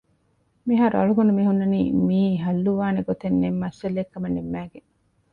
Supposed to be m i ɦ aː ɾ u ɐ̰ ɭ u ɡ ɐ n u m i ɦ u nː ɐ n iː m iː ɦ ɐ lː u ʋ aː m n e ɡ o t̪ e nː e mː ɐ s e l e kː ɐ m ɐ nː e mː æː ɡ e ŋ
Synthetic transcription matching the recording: m i ɦ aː ɾ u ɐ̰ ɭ u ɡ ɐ n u m i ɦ u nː ɐ n iː m iː ɦ ɐ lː u ʋ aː n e ɡ o t̪ e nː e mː ɐ s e l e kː ɐ m ɐ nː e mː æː ɡ e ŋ